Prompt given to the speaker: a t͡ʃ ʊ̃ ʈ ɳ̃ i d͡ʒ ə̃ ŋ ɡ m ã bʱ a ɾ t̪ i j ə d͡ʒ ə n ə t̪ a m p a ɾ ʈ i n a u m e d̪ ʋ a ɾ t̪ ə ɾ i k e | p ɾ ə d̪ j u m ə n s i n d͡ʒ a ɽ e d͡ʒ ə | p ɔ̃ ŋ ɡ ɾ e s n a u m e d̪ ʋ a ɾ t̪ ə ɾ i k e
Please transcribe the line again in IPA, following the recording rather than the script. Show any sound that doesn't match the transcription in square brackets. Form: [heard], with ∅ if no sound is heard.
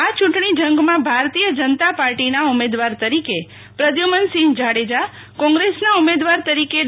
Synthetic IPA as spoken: a t͡ʃ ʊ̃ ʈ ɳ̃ i d͡ʒ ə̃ ŋ ɡ m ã bʱ a ɾ t̪ i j ə d͡ʒ ə n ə t̪ a [∅] p a ɾ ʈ i n a u m e d̪ ʋ a ɾ t̪ ə ɾ i k e | p ɾ ə d̪ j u m ə n s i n d͡ʒ a ɽ e d͡ʒ [a] | [k] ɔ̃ ŋ ɡ ɾ e s n a u m e d̪ ʋ a ɾ t̪ ə ɾ i k e